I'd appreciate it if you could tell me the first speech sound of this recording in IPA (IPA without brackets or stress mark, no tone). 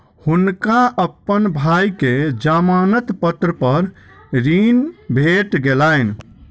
h